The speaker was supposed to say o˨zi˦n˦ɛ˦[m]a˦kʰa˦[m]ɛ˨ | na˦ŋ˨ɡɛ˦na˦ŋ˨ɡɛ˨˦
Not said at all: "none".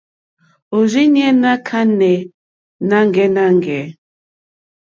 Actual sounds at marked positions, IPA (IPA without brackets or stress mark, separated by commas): n, n